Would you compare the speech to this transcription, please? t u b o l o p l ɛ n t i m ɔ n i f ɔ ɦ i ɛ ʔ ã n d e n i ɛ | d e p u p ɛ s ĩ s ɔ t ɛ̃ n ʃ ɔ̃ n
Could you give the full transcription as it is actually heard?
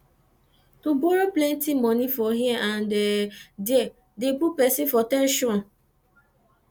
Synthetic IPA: t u b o ɾ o p l ɛ n t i m ɔ n i f ɔ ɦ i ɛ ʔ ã n d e d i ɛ | d e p u p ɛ s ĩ f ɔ t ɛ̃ n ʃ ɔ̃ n